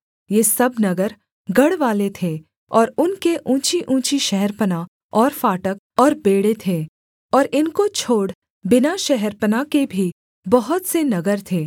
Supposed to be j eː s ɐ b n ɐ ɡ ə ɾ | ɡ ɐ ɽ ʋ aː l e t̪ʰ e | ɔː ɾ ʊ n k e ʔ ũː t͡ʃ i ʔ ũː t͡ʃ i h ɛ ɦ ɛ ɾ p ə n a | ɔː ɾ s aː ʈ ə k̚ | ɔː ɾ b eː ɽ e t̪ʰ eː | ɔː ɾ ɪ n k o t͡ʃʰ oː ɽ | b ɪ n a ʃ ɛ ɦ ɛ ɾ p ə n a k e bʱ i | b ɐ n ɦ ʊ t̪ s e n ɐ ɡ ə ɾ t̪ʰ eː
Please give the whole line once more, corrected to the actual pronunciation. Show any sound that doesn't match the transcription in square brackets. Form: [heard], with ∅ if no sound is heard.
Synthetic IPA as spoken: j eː s ɐ b n ɐ ɡ ə ɾ | ɡ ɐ ɽ ʋ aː l e t̪ʰ e | ɔː ɾ ʊ n k e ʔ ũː t͡ʃ i ʔ ũː t͡ʃ i [ʃ] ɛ ɦ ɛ ɾ p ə n a | ɔː ɾ [f] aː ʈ ə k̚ | ɔː ɾ b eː ɽ e t̪ʰ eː | ɔː ɾ ɪ n k o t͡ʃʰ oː ɽ | b ɪ n a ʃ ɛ ɦ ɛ ɾ p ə n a k e bʱ i | b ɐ [∅] ɦ ʊ t̪ s e n ɐ ɡ ə ɾ t̪ʰ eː